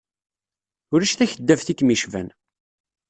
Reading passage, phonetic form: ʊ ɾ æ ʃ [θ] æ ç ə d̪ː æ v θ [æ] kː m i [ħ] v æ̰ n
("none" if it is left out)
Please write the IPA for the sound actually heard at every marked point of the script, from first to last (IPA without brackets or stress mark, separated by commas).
θ, i, ʃ